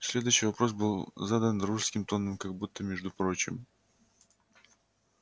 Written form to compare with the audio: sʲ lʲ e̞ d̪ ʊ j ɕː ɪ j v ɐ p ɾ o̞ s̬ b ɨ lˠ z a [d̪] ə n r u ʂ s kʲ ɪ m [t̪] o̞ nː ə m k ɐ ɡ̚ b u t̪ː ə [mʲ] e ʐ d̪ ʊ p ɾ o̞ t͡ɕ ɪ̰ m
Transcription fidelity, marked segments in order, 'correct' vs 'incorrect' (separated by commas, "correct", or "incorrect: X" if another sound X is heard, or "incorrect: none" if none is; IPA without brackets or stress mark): correct, correct, correct